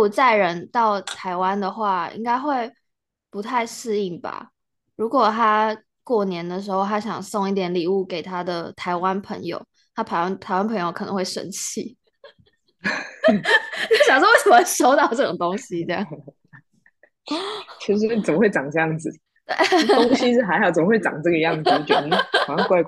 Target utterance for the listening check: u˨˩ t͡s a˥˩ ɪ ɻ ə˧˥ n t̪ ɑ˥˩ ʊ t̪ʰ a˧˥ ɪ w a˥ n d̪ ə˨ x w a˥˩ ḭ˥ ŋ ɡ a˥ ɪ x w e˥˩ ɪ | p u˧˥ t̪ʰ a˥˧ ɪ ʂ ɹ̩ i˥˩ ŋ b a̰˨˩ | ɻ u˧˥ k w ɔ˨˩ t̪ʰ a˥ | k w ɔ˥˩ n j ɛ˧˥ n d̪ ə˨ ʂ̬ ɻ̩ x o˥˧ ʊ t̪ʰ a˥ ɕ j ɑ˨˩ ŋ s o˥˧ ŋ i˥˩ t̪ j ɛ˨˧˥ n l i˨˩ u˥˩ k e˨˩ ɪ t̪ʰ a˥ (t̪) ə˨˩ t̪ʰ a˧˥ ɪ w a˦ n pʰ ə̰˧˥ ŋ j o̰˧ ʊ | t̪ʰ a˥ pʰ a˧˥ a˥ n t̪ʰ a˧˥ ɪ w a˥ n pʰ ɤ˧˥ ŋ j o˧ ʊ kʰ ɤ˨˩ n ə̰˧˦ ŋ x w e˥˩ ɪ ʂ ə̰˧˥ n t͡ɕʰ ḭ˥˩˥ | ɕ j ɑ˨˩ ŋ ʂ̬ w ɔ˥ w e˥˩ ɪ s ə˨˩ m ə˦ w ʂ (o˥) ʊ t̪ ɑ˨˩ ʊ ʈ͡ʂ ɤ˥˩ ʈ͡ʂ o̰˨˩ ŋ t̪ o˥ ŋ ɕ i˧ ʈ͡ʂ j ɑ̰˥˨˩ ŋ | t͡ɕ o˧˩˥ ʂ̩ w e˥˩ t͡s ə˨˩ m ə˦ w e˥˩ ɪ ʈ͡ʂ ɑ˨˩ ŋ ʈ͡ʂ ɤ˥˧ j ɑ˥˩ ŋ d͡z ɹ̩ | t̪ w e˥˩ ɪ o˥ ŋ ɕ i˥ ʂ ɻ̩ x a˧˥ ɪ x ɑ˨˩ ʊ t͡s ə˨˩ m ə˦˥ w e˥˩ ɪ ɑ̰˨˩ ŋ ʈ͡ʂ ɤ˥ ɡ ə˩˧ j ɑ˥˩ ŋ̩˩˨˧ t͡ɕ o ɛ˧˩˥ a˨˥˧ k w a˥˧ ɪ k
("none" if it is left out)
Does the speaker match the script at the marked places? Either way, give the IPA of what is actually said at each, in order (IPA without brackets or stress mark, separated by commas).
d̪, o˥